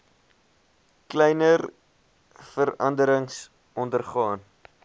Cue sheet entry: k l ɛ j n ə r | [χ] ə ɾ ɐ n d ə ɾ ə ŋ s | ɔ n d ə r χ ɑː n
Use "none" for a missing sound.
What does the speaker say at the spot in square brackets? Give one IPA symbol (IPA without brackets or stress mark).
f